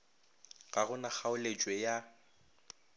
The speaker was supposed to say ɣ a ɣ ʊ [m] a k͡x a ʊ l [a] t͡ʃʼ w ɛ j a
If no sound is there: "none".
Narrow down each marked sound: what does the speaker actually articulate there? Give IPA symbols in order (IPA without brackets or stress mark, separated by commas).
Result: n, e